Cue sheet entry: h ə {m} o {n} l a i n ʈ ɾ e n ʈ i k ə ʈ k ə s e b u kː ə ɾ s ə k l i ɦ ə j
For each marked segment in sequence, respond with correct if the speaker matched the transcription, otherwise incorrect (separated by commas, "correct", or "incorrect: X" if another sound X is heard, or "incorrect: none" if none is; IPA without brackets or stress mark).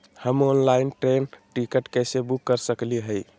correct, correct